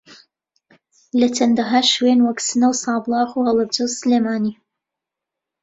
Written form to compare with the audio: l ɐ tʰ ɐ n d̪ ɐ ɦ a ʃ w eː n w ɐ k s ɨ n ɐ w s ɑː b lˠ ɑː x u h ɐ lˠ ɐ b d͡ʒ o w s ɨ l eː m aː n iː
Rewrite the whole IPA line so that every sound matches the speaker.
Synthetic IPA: l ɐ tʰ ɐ n d̪ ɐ ɦ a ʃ w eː n w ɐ k s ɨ n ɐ w s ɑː b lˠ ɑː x u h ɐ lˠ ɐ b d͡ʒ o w s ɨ l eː m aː n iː